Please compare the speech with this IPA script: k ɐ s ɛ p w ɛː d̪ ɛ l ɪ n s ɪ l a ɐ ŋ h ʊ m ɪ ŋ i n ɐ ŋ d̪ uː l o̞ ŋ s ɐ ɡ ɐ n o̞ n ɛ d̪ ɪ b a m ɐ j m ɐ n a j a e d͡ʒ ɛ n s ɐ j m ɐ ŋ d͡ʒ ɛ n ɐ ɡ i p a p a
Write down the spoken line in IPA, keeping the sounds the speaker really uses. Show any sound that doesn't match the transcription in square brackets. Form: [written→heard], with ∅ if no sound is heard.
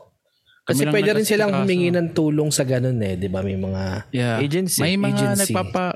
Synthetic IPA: k ɐ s ɛ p w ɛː d̪ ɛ [l→ɾ] ɪ n s ɪ l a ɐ ŋ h ʊ m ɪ ŋ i n ɐ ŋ [d̪→t̪] uː l o̞ ŋ s ɐ ɡ ɐ n o̞ n ɛ d̪ ɪ b a m ɐ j m ɐ [n→ŋ] a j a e d͡ʒ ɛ n s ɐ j m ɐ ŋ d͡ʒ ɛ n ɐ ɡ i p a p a